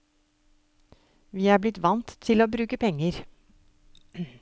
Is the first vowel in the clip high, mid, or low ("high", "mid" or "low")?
high